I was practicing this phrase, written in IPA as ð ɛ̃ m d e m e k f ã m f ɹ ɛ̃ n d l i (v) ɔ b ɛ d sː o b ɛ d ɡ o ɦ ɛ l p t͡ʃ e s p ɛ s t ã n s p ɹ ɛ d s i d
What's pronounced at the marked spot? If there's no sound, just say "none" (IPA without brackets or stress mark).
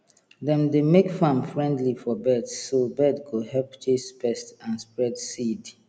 f